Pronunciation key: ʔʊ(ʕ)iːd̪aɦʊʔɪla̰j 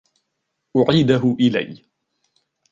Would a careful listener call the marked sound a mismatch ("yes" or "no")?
no